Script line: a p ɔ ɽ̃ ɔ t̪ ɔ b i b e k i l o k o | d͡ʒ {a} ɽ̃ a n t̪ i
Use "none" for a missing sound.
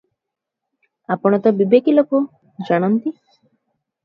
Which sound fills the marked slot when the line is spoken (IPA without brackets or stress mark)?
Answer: a